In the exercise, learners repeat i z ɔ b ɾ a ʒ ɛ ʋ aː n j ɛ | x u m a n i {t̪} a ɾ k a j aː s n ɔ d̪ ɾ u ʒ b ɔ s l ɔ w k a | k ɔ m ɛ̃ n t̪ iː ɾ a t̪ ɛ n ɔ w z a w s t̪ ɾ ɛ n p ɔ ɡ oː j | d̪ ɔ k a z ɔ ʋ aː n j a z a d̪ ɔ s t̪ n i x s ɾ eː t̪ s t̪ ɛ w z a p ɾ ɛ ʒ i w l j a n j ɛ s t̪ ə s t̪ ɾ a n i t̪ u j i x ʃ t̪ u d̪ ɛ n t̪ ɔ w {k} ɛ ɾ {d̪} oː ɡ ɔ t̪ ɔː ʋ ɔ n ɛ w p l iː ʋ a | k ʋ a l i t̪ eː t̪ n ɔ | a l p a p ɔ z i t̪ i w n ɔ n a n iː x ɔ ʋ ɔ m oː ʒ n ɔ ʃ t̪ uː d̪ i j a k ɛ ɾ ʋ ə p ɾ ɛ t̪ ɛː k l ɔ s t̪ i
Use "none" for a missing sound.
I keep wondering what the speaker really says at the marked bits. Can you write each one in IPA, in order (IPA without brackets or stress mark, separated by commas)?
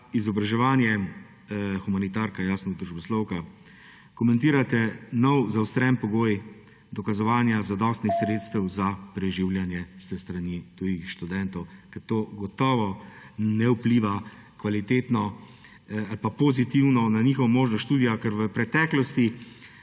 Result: t̪, k, t̪